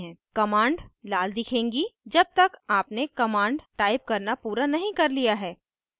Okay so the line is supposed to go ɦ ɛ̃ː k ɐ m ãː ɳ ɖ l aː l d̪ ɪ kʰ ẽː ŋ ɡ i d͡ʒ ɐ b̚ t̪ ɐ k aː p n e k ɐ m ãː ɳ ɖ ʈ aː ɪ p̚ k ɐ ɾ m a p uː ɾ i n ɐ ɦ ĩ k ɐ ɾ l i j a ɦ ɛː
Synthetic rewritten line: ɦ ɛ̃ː k ɐ m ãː ɳ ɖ l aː l d̪ ɪ kʰ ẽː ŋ ɡ i d͡ʒ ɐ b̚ t̪ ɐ k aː p n e k ɐ m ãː ɳ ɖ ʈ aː ɪ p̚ k ɐ ɾ n a p uː ɾ a n ɐ ɦ ĩ k ɐ ɾ l i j a ɦ ɛː

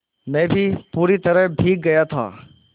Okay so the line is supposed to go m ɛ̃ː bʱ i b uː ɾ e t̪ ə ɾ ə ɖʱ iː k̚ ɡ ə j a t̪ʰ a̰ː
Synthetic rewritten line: m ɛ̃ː bʱ i p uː ɾ i t̪ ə ɾ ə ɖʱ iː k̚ ɡ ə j a t̪ʰ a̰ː

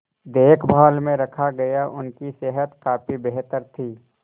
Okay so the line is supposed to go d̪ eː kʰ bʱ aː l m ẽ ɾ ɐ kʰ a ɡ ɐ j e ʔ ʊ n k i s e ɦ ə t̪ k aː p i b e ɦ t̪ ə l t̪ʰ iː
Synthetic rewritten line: d̪ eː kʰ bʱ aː l m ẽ ɾ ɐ kʰ a ɡ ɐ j a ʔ ʊ n k i s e ɦ ə t̪ k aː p i b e ɦ t̪ ə ɾ t̪ʰ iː

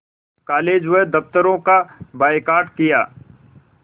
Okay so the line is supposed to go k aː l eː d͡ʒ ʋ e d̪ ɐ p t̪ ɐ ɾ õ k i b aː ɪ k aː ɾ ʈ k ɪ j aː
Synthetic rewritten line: k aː l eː d͡ʒ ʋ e d̪ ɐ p t̪ ə ɾ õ k a b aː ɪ k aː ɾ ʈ k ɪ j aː

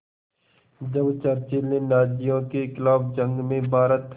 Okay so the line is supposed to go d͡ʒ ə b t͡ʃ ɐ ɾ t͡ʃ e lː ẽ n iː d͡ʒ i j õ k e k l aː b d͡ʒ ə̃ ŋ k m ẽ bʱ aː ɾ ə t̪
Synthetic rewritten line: d͡ʒ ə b t͡ʃ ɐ ɾ t͡ʃ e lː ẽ n aː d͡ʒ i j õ k e k l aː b d͡ʒ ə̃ ŋ ɡ m ẽ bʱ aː ɾ ə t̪

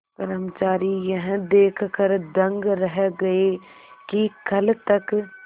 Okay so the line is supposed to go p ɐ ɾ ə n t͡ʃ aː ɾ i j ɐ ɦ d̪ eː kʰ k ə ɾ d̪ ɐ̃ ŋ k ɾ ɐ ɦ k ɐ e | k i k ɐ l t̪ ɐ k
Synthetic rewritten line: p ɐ ɾ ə m t͡ʃ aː ɾ i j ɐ ɦ d̪ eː kʰ k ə ɾ d̪ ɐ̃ ŋ ɡ ɾ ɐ ɦ ɡ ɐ e | k i k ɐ l t̪ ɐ k

